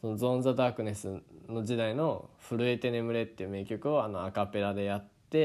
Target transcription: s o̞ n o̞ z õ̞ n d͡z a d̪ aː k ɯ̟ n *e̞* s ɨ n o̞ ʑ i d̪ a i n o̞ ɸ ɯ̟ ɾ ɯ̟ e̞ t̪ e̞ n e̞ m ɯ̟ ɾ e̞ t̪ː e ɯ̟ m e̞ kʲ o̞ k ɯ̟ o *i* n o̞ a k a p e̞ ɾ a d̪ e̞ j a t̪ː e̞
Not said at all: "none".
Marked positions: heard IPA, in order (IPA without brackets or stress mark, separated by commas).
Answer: e̞, a